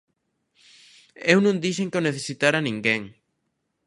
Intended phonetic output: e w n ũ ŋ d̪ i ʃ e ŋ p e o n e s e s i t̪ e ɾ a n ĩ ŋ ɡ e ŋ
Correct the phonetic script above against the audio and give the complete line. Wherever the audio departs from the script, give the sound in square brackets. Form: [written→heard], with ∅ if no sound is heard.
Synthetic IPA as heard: e w n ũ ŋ d̪ i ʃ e ŋ [p→k] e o n e [s→θ] e s i t̪ [e→a] ɾ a n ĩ ŋ ɡ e ŋ